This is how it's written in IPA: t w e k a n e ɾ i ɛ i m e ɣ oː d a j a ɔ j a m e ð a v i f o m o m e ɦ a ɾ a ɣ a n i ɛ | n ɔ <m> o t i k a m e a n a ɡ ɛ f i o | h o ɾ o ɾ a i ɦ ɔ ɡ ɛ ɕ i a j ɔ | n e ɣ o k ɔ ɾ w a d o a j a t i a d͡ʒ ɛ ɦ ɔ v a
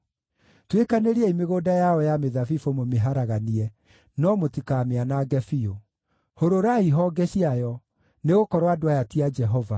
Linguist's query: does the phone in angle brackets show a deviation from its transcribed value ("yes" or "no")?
no